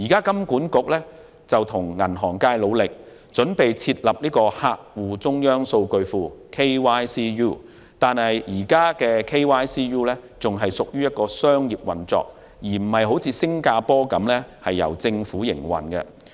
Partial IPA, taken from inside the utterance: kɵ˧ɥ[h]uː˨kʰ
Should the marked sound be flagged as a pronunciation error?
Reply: yes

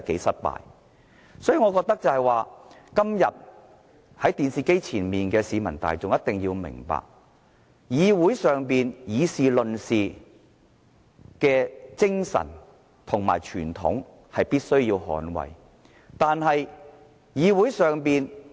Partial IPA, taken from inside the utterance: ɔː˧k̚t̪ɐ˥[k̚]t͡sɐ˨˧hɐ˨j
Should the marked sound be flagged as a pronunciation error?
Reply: no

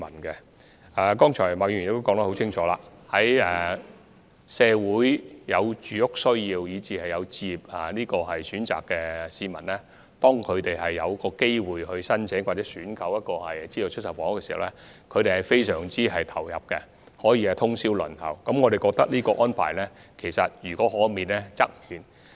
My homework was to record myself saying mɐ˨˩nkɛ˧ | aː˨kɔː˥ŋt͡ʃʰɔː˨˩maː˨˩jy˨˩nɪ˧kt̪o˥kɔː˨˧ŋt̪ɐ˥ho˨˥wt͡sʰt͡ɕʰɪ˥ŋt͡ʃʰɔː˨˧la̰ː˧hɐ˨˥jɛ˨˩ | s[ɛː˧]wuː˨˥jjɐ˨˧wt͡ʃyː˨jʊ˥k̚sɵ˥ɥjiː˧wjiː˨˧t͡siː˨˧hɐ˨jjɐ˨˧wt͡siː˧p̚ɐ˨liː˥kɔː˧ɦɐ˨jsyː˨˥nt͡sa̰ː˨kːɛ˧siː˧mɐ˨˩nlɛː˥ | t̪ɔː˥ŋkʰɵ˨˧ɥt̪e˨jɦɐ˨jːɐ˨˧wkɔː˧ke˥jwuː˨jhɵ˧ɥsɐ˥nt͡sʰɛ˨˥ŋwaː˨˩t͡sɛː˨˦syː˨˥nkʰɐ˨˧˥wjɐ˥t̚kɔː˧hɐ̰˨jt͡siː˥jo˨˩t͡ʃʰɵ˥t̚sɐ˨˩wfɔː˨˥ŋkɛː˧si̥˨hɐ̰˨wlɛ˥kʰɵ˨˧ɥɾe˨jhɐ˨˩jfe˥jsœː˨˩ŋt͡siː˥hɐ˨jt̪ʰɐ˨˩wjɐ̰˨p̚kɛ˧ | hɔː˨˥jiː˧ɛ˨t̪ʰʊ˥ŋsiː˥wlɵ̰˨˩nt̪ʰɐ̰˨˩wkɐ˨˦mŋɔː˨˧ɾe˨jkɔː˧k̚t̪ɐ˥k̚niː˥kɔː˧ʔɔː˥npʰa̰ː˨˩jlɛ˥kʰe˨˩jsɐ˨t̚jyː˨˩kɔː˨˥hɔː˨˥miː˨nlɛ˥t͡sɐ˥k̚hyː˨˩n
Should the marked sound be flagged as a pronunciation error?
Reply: no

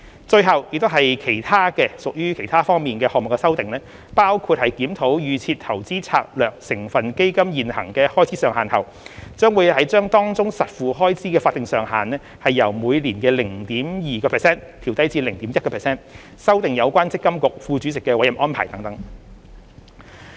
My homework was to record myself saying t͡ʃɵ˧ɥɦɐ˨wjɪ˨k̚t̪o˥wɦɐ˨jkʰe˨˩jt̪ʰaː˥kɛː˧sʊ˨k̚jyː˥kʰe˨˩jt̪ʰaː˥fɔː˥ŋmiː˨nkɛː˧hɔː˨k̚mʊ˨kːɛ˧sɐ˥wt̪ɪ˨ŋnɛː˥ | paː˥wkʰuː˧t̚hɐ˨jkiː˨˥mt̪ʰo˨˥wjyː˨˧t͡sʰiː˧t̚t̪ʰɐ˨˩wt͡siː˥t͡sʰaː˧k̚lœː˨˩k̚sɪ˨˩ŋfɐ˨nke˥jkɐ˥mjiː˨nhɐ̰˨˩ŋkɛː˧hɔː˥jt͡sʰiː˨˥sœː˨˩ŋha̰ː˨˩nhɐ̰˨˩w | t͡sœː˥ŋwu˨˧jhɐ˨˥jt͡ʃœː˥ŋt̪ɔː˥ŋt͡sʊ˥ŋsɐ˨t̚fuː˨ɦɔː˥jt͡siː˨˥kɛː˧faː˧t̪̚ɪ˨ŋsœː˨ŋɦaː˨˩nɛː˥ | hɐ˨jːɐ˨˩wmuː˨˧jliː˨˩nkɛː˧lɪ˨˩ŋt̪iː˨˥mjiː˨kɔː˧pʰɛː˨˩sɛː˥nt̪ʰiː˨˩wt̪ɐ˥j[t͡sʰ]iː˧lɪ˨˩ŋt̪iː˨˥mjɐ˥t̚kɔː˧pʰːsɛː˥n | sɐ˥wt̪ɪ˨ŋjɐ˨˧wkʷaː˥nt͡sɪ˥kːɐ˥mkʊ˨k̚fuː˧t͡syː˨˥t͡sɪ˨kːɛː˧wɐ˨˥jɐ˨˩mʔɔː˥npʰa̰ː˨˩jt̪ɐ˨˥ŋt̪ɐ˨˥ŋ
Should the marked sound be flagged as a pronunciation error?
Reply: yes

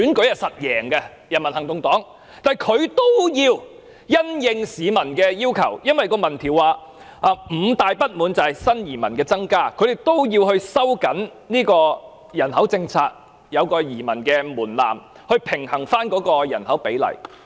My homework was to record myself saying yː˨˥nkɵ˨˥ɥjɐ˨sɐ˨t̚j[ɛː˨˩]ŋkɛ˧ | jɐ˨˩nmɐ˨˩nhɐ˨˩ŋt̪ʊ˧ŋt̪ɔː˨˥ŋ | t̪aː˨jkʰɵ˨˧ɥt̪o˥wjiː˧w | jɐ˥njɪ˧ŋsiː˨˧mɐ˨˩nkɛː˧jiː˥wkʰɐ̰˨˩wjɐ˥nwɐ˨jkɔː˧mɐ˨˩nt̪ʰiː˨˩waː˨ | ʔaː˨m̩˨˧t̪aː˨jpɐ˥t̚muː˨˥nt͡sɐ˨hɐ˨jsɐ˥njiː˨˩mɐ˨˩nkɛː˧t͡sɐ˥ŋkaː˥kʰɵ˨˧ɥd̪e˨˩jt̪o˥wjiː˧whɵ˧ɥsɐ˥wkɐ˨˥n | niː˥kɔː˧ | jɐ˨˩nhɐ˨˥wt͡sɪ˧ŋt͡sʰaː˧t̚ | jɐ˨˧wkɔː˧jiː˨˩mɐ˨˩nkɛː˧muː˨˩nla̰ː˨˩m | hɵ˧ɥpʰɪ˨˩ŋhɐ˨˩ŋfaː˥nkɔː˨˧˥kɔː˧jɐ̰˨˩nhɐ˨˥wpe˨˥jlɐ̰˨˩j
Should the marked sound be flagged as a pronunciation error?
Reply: no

